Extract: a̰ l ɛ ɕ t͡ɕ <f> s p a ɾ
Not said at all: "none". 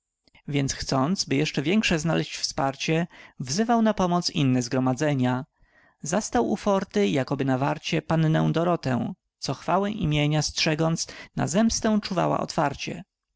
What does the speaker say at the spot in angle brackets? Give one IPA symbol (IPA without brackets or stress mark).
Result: f